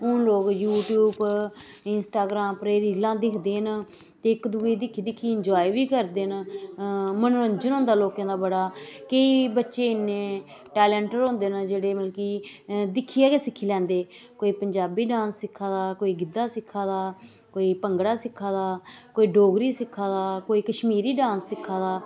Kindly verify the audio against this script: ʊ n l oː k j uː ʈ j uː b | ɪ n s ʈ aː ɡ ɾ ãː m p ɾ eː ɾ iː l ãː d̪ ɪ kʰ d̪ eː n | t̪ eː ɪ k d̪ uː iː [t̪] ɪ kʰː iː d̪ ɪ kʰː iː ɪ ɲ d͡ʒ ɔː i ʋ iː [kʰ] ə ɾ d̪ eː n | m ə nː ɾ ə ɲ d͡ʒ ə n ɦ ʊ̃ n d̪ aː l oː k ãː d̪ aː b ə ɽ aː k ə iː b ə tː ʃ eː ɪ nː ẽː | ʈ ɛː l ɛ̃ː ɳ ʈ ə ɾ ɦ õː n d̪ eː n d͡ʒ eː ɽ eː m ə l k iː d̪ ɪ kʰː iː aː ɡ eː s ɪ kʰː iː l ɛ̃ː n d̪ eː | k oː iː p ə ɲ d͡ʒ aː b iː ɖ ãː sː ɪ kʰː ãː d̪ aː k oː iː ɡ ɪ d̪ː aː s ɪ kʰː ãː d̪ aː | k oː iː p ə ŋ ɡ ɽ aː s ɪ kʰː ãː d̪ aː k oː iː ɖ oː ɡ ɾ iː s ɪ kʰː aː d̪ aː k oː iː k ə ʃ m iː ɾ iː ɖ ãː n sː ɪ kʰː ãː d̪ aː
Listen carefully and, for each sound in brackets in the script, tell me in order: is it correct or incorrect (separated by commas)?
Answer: incorrect, incorrect